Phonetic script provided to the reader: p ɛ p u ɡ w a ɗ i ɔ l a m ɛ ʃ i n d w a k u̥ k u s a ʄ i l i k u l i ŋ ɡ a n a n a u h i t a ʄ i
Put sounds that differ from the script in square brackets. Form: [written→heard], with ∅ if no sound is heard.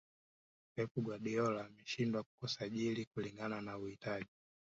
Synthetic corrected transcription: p ɛ p u ɡ w a ɗ i ɔ l a m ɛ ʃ i n d w a k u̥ k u s a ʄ i l i k u l i ŋ ɡ a n a n a u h i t a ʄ i